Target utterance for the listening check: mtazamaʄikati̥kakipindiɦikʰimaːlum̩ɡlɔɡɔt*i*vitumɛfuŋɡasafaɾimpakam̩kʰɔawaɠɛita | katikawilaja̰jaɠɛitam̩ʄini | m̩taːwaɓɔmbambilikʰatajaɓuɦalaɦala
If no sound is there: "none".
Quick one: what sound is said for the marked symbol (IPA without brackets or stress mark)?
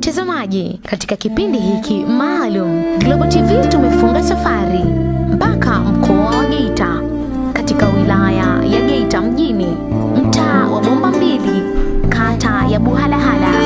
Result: i